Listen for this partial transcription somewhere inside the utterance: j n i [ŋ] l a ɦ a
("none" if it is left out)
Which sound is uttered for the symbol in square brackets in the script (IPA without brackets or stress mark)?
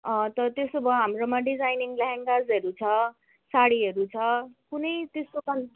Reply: ŋ